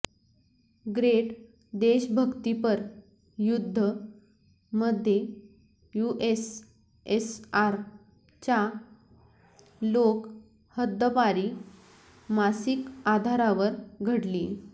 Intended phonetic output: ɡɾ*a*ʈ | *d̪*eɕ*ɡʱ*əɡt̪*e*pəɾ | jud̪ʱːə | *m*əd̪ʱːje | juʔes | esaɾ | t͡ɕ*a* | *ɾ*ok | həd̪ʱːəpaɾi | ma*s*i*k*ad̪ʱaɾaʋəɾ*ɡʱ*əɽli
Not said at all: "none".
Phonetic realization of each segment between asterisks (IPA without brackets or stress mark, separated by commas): e, d̪, bʱ, i, m, a, l, s, k, ɡʱ